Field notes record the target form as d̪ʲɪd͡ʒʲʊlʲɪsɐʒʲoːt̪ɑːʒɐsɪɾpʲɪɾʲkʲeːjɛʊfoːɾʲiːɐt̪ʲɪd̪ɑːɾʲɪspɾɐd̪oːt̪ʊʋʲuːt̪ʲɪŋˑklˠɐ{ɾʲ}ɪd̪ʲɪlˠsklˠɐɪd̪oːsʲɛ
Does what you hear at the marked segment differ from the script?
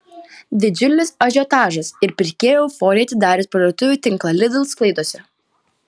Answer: yes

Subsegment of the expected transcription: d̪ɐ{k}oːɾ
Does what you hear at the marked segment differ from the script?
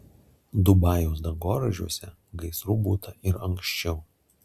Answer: yes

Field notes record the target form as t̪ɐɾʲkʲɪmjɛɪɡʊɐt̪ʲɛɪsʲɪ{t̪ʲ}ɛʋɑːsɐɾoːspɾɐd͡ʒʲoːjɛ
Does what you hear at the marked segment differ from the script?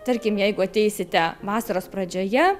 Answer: no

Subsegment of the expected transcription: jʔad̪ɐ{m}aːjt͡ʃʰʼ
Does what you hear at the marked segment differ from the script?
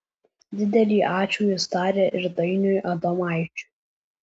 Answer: no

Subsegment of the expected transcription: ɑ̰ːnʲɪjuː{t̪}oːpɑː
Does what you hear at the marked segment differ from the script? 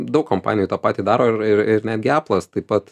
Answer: no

